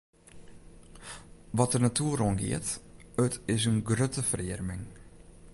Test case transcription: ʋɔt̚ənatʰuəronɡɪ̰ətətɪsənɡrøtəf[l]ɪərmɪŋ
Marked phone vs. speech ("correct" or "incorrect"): incorrect